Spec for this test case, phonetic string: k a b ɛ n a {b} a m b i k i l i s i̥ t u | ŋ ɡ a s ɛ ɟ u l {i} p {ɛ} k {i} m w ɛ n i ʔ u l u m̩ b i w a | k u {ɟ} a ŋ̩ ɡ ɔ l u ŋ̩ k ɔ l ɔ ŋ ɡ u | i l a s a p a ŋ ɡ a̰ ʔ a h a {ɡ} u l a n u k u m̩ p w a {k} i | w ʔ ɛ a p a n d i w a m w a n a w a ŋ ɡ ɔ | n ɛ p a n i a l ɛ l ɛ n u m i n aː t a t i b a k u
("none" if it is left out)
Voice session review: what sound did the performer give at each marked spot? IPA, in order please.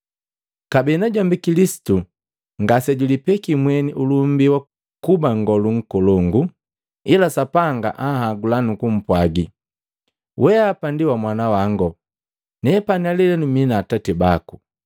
ɟ, i, ɛ, i, b, ɡ, ɡ

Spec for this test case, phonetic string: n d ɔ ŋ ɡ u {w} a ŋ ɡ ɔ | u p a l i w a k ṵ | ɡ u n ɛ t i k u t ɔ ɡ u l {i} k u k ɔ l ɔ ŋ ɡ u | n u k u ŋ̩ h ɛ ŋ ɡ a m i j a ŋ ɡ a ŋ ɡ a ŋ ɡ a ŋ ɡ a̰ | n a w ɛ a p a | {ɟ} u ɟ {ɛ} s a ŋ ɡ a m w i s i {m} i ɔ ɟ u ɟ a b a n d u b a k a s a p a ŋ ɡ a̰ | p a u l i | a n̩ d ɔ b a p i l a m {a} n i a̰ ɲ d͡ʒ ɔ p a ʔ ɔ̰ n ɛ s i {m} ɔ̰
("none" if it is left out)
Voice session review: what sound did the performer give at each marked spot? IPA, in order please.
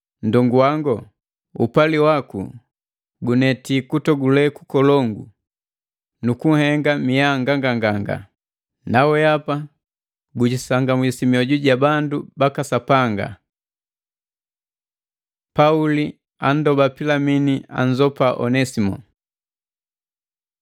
w, ɛ, ɡ, i, m, i, m

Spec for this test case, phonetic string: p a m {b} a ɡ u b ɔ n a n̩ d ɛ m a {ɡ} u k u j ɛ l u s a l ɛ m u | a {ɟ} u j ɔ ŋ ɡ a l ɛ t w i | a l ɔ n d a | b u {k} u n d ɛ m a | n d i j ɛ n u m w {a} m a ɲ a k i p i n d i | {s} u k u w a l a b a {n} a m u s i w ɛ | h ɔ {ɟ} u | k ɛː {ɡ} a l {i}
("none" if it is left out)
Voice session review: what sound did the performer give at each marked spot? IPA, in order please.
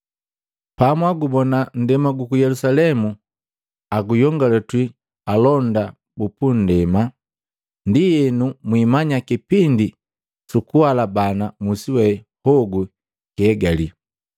w, ɡ, ɡ, p, i, s, n, ɡ, ɡ, i

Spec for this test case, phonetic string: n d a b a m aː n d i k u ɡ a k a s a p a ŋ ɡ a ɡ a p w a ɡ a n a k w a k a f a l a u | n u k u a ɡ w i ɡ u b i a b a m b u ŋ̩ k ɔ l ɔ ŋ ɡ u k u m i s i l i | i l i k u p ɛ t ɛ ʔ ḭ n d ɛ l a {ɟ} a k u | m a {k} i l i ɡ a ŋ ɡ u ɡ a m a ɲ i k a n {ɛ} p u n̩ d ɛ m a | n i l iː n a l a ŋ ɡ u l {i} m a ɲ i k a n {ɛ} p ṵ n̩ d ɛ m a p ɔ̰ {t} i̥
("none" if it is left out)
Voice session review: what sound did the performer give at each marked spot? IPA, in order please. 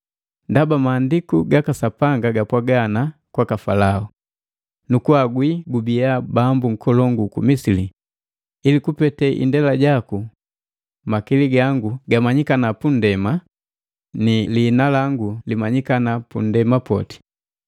ɟ, k, a, i, a, t

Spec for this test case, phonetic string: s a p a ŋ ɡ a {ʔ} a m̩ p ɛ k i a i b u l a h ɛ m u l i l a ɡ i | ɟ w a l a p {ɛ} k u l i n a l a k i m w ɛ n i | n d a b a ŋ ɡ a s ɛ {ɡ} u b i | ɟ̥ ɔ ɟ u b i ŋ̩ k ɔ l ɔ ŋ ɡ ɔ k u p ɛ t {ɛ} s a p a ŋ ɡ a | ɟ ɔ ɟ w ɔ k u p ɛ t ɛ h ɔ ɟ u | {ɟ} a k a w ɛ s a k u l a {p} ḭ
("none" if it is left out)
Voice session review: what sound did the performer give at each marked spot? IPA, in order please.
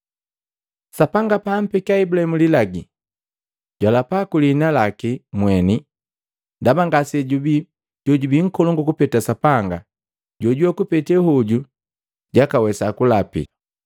p, a, ɟ, a, ɟ, p

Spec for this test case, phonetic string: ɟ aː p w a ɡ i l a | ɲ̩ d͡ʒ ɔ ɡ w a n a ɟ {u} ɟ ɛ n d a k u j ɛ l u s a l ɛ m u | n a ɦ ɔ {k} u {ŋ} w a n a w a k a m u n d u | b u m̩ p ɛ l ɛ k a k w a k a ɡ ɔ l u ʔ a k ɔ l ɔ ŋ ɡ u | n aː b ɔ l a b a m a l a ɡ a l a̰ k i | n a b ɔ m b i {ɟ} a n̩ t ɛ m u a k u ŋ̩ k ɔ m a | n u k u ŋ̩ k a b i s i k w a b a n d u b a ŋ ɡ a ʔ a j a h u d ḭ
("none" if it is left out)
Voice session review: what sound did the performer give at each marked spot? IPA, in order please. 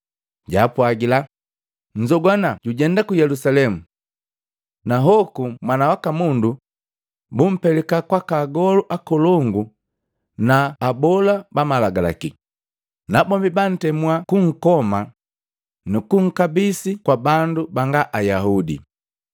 u, k, m, b

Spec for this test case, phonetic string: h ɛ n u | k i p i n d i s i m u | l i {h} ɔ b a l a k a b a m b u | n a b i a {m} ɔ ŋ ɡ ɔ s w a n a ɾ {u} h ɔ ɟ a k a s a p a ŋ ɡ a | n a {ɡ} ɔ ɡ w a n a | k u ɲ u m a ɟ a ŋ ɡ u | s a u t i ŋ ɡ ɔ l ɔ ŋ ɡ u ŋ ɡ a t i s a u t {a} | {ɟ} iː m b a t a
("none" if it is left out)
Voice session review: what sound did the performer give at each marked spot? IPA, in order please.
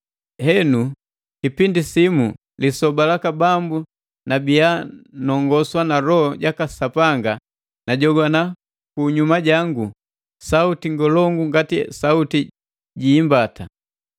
s, n, ɔ, ɟ, i, ɟ

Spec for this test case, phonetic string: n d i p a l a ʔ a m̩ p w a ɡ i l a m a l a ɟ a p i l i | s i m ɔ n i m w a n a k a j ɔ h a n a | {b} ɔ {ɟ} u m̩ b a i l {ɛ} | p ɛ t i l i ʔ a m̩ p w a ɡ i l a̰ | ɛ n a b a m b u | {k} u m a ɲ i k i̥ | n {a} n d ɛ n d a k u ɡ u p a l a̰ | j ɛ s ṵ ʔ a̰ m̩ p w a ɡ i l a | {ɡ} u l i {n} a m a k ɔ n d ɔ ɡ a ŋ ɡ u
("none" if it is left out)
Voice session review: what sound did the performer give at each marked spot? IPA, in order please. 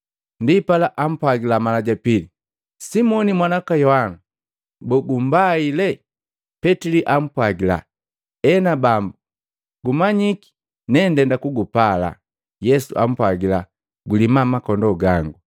b, ɡ, ɛ, ɡ, ɛ, ɡ, m

